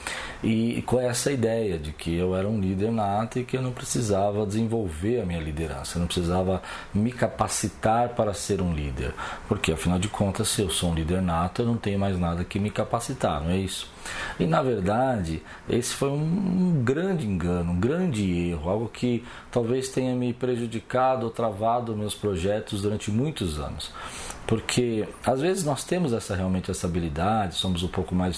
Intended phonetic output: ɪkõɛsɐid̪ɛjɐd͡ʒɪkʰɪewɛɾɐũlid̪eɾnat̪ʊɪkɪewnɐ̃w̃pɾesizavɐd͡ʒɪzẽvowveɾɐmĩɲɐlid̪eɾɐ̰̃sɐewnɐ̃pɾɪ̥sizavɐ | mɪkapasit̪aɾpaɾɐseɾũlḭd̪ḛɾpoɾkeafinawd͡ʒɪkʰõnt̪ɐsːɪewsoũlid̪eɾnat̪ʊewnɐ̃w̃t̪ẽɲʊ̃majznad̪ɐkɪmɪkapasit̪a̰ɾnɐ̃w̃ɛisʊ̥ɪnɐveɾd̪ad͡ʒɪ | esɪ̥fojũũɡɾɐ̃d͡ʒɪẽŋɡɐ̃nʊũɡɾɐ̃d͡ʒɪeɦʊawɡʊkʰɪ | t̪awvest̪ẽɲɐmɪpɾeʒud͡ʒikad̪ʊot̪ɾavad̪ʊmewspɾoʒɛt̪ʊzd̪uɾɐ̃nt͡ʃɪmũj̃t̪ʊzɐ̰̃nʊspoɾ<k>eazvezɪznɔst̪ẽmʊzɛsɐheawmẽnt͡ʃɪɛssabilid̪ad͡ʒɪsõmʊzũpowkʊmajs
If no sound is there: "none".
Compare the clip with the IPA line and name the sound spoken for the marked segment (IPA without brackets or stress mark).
kʰ